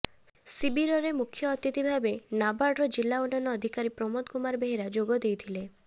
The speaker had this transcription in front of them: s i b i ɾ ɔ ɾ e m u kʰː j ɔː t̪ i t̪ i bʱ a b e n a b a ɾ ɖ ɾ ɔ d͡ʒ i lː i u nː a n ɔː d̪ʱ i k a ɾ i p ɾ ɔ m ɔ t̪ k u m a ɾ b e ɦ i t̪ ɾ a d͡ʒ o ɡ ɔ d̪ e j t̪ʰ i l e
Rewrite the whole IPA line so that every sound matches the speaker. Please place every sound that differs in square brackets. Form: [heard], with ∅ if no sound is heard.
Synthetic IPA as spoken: s i b i ɾ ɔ ɾ e m u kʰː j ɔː t̪ i t̪ i bʱ a b e n a b a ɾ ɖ ɾ ɔ d͡ʒ i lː [a] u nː a n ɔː d̪ʱ i k a ɾ i p ɾ ɔ m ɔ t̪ k u m a ɾ b e ɦ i [∅] ɾ a d͡ʒ o ɡ ɔ d̪ e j t̪ʰ i l e